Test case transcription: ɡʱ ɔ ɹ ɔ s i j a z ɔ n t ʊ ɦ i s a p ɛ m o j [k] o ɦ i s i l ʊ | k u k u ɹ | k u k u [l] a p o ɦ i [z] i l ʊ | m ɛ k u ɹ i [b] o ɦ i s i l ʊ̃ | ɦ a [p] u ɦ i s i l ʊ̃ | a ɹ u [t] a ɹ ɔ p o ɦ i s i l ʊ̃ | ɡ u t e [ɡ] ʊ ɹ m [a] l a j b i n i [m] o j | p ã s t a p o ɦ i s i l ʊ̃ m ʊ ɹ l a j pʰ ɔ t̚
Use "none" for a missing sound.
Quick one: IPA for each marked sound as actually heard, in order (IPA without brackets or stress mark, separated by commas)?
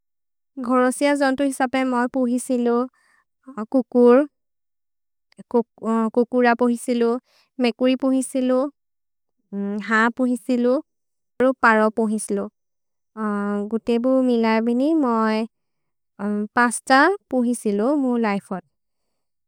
p, ɹ, s, p, p, p, b, i, m